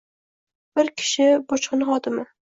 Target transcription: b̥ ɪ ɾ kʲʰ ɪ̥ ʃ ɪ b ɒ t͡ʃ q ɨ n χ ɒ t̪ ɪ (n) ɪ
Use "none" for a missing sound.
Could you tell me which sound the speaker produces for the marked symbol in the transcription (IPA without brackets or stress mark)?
m